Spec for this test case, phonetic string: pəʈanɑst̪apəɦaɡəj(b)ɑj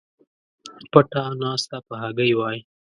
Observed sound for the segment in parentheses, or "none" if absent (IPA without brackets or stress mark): w